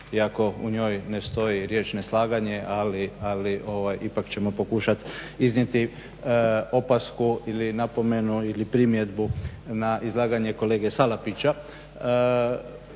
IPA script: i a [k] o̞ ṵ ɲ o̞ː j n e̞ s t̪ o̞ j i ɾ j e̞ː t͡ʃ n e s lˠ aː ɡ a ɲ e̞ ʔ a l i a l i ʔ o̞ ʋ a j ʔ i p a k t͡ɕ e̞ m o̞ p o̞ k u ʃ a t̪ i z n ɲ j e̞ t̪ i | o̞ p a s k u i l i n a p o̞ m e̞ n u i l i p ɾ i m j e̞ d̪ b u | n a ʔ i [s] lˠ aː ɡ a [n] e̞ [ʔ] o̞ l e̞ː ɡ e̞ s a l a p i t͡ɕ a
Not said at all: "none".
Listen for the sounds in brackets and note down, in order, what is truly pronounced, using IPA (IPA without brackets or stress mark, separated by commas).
k, z, ɲ, k